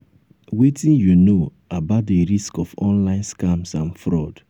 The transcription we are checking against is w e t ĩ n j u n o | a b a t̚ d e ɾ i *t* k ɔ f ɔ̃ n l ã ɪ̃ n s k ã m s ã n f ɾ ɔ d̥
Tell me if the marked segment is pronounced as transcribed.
no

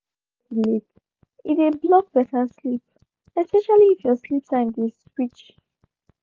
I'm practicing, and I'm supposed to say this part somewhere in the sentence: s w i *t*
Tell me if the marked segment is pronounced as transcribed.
no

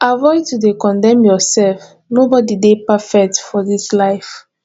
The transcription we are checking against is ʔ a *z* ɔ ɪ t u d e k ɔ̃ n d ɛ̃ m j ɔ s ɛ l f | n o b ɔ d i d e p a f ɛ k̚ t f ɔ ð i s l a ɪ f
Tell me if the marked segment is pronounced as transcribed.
no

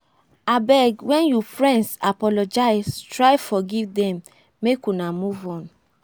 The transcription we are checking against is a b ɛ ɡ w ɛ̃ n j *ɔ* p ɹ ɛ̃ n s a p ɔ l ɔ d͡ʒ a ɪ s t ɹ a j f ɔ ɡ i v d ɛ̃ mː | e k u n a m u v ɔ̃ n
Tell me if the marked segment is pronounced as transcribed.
no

